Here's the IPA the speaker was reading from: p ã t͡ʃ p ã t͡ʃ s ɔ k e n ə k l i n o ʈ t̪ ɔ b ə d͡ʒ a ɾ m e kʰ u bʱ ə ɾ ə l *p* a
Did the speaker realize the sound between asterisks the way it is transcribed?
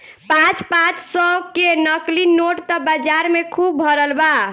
no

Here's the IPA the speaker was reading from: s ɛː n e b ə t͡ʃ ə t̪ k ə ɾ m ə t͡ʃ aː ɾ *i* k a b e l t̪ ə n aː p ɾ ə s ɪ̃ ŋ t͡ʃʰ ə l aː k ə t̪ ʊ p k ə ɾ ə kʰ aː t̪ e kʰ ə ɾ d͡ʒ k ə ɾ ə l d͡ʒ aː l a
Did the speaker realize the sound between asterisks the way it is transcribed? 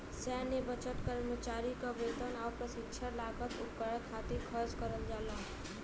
yes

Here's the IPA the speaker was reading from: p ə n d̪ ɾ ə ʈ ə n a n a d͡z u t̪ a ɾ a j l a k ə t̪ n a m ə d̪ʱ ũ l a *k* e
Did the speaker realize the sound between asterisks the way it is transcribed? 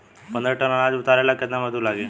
no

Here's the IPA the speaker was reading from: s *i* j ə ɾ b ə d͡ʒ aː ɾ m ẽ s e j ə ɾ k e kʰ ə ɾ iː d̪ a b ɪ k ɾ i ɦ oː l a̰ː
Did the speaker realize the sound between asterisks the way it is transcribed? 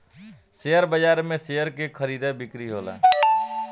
no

